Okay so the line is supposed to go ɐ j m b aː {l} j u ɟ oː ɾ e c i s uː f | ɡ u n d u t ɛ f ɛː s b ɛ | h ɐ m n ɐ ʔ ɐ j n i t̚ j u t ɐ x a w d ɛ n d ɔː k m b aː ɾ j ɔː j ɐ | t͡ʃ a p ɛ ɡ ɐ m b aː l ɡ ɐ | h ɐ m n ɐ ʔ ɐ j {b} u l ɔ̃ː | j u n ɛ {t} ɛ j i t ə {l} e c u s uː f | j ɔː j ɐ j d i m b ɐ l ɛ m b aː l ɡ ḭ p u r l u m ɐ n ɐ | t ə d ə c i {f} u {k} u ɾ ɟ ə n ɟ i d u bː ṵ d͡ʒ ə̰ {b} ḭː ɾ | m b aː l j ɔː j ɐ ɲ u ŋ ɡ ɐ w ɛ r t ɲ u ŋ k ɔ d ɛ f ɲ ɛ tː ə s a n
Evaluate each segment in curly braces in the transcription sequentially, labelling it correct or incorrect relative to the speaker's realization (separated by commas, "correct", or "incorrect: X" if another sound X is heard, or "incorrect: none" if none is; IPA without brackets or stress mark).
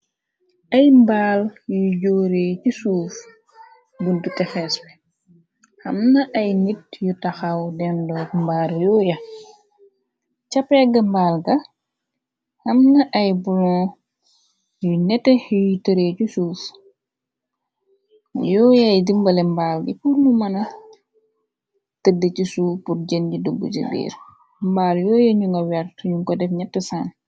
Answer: correct, correct, correct, incorrect: ɾ, incorrect: s, incorrect: p, correct